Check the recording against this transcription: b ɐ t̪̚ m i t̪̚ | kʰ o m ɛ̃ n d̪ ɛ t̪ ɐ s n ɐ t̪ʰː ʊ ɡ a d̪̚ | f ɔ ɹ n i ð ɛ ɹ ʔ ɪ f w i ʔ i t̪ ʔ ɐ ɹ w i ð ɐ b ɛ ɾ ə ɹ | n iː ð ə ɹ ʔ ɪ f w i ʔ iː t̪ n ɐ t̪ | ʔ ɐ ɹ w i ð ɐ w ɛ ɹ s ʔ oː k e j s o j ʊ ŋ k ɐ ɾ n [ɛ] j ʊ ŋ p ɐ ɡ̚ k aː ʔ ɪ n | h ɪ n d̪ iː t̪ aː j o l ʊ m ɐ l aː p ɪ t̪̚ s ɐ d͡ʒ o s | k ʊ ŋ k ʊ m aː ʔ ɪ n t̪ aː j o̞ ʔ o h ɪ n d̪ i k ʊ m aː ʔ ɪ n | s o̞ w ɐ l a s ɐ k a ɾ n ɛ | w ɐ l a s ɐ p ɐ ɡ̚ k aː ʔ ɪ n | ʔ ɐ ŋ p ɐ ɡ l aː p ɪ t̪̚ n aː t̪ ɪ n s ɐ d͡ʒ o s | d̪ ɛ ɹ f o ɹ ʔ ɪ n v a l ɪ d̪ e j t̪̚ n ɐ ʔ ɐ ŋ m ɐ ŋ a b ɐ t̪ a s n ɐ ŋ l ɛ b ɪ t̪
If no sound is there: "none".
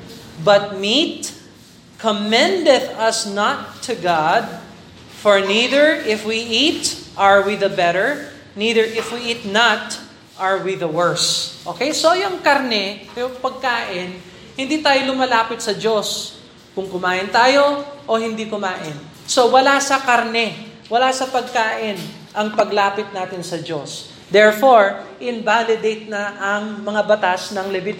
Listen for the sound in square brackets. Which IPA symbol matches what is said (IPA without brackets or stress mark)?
ɛ